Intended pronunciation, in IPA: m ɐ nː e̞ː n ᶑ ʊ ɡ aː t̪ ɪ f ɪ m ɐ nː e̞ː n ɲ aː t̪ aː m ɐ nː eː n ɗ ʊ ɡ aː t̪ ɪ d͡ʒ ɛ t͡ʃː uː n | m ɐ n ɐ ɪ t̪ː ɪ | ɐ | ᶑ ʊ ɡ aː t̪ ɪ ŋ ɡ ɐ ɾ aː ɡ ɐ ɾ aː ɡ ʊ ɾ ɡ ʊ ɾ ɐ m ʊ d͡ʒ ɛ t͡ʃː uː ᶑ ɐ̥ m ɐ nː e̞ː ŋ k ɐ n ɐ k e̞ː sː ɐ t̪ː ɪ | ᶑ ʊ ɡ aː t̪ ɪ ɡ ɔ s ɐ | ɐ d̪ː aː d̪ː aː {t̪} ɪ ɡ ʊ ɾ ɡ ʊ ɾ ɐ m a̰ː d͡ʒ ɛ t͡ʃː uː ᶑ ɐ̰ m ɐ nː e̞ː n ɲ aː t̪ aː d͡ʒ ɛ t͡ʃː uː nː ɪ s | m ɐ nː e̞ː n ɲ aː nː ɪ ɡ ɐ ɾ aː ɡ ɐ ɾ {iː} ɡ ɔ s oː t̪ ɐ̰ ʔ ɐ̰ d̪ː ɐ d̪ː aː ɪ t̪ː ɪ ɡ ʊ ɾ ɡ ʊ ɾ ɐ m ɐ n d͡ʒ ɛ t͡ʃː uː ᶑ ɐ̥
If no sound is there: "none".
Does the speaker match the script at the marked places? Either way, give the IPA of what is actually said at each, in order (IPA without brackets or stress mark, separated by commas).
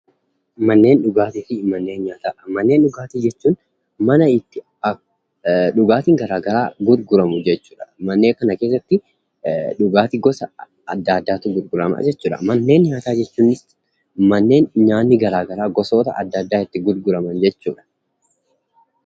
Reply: t̪, aː